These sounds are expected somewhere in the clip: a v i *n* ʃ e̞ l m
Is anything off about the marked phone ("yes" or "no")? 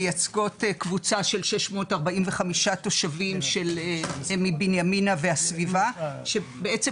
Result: yes